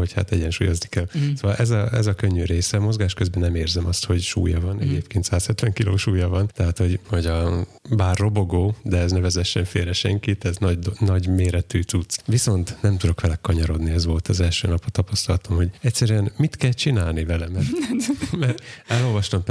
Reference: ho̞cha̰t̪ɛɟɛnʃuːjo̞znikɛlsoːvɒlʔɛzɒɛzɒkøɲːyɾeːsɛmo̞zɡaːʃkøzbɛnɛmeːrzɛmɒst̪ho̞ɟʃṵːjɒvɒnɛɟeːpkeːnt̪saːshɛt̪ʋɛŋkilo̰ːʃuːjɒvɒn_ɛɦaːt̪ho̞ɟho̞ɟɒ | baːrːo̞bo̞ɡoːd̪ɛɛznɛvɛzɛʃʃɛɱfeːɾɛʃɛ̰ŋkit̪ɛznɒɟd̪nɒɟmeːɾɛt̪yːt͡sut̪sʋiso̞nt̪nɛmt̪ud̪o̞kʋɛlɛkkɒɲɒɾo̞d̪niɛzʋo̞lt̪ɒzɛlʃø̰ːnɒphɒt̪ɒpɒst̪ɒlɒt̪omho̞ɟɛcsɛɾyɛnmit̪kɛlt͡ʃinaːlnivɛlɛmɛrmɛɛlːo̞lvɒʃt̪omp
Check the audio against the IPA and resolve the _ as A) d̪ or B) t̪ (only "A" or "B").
B